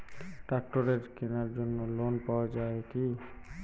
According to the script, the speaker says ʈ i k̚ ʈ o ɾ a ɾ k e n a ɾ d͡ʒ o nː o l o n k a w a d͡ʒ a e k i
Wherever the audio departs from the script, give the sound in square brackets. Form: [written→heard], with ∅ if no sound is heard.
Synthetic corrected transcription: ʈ [i→a] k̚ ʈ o ɾ [a→e] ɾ k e n a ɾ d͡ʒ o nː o l o n [k→p] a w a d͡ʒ a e k i